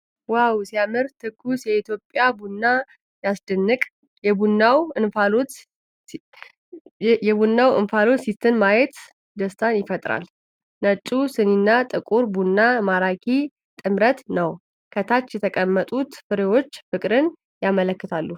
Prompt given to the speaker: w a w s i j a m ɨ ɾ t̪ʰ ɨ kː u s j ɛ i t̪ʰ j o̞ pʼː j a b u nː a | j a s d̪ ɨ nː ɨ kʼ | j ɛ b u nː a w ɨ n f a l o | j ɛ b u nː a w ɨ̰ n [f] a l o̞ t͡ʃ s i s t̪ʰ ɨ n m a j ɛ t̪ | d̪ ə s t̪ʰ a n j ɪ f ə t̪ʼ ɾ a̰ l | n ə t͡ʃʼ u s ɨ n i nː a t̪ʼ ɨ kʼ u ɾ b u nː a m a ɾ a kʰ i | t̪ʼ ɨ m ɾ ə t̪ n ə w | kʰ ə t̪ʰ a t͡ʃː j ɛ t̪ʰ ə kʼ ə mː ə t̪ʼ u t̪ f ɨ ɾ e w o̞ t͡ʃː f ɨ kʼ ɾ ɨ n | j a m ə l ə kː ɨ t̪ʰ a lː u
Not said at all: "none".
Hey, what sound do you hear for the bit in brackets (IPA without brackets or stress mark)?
f